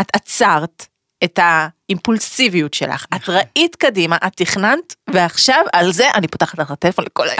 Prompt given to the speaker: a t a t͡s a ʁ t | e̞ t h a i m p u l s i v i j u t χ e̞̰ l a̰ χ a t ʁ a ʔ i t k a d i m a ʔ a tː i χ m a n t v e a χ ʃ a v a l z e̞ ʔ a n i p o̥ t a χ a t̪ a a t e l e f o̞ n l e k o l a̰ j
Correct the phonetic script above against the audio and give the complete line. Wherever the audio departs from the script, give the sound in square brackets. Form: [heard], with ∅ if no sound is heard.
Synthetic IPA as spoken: a t a t͡s a ʁ t | e̞ t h a i m p u l s i v i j u t [ʃ] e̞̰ l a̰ χ a t ʁ a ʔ i t k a d i m a ʔ a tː i χ [n] a n t v e a χ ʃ a v a l z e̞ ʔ a n i p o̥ t a χ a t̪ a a t e l e f o̞ n l e k o l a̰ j